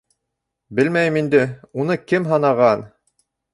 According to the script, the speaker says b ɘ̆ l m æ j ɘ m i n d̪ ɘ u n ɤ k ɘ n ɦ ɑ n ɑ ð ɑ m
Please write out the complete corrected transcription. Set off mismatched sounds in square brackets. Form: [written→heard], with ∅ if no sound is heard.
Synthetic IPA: b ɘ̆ l m æ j ɘ m i n d̪ ɘ u n ɤ k ɘ [n→m] ɦ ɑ n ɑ [ð→ʁ] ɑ [m→n]